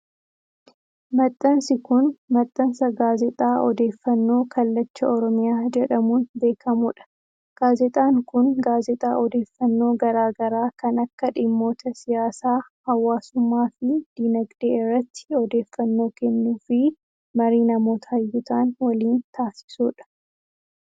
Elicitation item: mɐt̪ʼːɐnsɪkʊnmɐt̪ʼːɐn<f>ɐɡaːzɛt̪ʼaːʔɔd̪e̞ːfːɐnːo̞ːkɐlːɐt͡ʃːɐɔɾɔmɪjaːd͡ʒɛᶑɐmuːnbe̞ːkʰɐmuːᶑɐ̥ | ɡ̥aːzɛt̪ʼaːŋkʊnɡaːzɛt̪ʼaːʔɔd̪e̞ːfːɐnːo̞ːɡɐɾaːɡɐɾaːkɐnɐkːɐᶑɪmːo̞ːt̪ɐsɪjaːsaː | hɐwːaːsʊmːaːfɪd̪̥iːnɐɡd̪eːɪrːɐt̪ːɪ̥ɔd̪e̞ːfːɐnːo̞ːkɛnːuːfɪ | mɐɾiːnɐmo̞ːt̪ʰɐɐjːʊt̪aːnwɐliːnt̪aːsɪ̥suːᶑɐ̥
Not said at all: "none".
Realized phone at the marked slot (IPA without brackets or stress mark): s